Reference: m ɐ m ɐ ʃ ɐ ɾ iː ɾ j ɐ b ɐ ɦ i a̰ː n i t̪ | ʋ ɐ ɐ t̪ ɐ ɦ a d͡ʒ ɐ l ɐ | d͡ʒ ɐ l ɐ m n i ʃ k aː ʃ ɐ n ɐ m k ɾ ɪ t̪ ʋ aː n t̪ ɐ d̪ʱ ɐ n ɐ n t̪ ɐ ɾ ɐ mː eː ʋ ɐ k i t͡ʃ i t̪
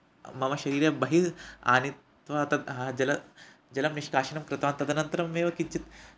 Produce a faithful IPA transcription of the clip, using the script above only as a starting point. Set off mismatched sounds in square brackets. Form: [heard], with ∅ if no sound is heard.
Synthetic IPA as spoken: m ɐ m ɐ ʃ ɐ ɾ iː ɾ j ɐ b ɐ ɦ i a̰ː n i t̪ | ʋ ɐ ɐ t̪ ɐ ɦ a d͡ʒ ɐ l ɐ | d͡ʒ ɐ l ɐ m n i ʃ k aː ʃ ɐ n ɐ m k ɾ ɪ t̪ ʋ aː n t̪ ɐ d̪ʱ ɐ n ɐ n t̪ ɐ ɾ ɐ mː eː ʋ ɐ k i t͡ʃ i t̪